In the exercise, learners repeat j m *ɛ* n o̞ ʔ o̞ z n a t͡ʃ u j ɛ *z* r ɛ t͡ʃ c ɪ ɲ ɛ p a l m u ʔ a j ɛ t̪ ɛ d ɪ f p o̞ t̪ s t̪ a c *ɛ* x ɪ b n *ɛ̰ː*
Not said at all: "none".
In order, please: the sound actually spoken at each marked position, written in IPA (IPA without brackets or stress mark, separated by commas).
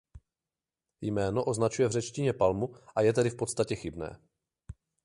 ɛː, v, ɛ, ɛ̰ː